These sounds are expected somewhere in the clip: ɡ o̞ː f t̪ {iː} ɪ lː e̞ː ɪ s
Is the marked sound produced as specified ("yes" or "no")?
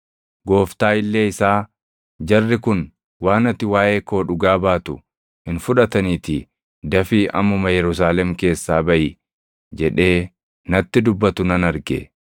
no